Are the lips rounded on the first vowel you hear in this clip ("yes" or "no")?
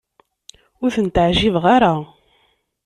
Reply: yes